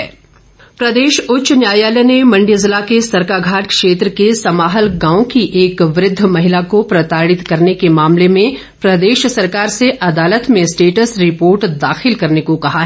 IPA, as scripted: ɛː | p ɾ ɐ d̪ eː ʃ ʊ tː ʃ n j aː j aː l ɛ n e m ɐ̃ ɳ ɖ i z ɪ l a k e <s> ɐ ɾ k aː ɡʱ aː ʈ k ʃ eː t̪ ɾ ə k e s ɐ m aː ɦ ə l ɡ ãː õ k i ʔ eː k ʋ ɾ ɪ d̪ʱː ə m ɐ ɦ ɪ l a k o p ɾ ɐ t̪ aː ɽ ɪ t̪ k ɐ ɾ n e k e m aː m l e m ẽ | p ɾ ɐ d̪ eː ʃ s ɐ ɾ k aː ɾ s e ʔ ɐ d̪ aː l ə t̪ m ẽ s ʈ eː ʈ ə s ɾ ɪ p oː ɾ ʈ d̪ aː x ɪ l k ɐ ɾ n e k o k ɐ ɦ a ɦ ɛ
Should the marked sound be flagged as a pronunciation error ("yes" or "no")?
no